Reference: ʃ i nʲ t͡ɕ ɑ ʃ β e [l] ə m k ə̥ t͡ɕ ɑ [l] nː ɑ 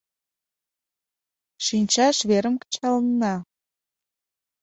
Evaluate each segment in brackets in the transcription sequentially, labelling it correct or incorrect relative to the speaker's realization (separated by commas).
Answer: incorrect, correct